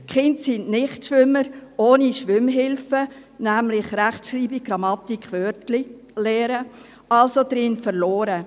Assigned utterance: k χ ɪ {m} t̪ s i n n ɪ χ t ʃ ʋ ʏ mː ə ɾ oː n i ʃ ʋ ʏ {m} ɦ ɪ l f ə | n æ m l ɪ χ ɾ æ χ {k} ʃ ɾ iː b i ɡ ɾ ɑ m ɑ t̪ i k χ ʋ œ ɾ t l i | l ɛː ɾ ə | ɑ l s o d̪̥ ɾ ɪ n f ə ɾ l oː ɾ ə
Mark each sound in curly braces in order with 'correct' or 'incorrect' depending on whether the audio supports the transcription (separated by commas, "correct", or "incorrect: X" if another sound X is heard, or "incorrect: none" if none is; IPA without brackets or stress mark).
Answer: incorrect: n, correct, incorrect: t